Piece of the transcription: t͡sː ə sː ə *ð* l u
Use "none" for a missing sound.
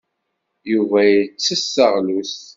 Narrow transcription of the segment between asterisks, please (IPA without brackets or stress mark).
ʁ